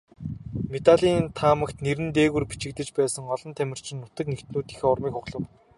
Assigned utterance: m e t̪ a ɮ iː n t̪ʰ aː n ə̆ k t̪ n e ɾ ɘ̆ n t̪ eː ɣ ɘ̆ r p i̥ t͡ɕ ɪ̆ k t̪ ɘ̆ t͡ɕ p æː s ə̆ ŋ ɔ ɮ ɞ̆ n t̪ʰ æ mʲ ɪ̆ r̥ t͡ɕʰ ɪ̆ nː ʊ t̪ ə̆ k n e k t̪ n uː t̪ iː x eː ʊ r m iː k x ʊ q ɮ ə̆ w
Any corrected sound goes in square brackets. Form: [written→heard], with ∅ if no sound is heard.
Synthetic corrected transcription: m e t̪ a ɮ iː n t̪ʰ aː [n→m] ə̆ k t̪ n e ɾ ɘ̆ n t̪ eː ɣ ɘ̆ r p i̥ t͡ɕ ɪ̆ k t̪ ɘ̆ t͡ɕ p æː s ə̆ ŋ ɔ ɮ ɞ̆ n t̪ʰ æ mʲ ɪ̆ r̥ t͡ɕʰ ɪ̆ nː ʊ t̪ ə̆ k n e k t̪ n uː t̪ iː x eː ʊ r m iː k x ʊ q ɮ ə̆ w

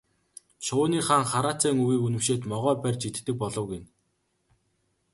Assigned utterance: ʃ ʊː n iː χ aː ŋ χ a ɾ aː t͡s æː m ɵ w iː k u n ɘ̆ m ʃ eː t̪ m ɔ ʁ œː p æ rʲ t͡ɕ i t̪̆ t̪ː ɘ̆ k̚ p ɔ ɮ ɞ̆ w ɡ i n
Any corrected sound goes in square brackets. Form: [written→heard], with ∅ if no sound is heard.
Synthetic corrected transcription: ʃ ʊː n iː χ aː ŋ χ a ɾ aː t͡s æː [m→ŋ] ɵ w iː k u n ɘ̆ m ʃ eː t̪ m ɔ ʁ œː p æ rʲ t͡ɕ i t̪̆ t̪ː ɘ̆ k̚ p ɔ ɮ ɞ̆ w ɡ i n

